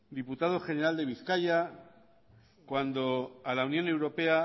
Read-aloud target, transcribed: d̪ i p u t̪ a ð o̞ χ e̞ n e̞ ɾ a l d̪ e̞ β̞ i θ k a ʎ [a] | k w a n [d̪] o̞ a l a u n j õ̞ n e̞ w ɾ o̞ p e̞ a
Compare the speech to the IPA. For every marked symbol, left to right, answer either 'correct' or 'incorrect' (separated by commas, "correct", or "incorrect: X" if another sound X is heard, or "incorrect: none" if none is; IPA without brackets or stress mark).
correct, correct